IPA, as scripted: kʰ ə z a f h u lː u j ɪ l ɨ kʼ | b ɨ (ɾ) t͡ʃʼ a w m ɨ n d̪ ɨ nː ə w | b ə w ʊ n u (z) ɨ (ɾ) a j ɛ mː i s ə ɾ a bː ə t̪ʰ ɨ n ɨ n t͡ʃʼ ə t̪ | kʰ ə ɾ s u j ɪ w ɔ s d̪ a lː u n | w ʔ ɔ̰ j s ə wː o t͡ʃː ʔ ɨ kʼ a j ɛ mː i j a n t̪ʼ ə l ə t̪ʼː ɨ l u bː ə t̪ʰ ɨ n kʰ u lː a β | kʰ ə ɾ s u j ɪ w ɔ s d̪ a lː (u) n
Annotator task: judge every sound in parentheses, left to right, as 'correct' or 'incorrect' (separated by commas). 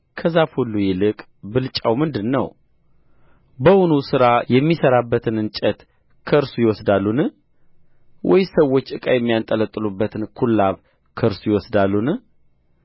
incorrect, incorrect, correct, correct